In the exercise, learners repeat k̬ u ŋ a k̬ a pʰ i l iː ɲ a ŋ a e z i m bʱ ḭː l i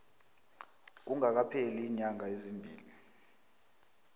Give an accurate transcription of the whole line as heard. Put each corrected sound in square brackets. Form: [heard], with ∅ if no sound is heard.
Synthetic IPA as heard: k̬ u ŋ a k̬ a pʰ [e] l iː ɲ a ŋ a e z i m bʱ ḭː l i